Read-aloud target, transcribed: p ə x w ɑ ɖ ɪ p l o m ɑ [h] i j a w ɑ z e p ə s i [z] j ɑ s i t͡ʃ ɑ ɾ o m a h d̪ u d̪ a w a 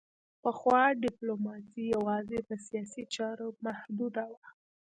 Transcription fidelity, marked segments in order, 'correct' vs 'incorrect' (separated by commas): incorrect, incorrect